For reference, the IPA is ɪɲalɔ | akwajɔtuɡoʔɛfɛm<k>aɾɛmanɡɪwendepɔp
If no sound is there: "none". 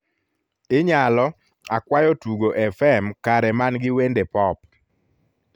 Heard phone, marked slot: k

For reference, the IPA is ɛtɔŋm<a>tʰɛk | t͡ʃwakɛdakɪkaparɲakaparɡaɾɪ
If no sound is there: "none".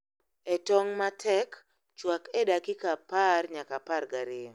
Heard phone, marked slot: a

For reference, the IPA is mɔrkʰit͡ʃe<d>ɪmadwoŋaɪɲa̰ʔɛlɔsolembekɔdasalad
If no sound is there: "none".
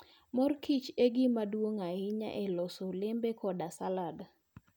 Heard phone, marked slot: ɡ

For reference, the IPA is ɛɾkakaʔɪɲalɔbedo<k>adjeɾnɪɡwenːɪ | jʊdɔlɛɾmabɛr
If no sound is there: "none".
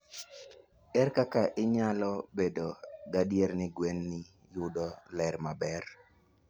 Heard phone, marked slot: ɡ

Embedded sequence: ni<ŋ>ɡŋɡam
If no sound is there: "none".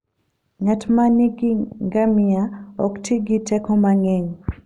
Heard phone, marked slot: none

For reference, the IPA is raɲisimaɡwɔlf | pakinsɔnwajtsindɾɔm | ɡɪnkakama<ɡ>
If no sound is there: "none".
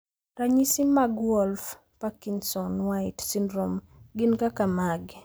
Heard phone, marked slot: ɡ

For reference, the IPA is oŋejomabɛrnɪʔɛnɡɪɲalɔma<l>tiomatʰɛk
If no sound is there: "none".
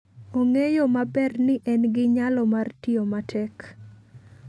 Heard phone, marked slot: r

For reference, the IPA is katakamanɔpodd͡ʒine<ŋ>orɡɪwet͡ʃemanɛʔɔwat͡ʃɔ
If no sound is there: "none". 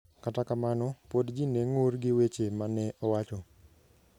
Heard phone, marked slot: ŋ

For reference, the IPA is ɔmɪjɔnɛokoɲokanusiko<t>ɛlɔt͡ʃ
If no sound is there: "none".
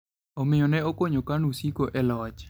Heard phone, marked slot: ʔ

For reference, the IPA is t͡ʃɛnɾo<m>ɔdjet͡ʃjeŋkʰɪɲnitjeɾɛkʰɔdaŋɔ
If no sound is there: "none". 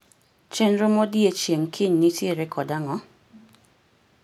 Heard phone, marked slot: m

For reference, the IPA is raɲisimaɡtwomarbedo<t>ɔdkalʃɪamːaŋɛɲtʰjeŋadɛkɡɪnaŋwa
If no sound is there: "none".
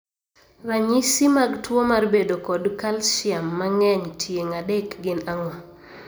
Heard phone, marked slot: k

